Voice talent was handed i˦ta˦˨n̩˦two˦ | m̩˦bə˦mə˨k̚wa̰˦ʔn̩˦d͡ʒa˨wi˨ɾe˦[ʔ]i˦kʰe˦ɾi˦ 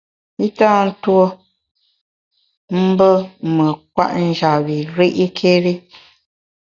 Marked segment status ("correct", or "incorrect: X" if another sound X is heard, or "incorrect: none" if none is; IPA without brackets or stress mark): correct